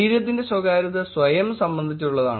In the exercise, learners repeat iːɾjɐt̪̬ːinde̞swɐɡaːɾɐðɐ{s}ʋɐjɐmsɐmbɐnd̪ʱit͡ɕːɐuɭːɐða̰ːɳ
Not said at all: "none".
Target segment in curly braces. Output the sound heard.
s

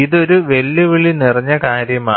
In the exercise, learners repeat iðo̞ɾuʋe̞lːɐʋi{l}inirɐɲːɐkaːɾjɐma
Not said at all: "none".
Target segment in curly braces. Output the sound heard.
ɭ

